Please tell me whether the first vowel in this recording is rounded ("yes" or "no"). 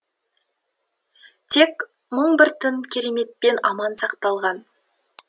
no